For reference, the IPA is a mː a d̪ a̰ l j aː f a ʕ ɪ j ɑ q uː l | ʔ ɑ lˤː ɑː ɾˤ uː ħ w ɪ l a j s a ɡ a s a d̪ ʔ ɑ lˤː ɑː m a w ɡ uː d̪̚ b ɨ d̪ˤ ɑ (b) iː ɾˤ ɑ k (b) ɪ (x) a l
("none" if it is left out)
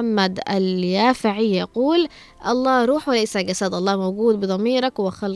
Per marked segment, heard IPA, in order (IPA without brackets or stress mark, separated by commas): m, w, x